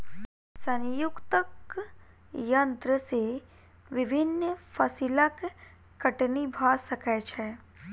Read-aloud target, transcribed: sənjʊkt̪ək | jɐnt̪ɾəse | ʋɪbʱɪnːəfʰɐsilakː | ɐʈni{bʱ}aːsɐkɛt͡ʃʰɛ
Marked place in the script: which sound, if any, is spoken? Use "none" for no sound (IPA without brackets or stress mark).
bʱ